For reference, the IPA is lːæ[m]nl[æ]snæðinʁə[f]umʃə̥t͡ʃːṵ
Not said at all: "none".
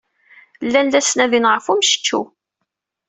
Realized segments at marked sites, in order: none, æ, f

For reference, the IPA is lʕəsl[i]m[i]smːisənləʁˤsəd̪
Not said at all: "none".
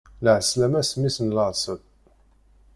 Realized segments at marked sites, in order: æ, æ

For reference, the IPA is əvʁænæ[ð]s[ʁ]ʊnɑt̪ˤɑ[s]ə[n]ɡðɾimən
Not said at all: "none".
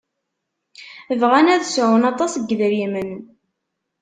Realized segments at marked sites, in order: ð, ʕ, s, none

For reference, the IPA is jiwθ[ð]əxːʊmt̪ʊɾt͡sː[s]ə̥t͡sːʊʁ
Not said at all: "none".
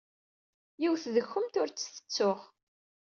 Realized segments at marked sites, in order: ð, θ

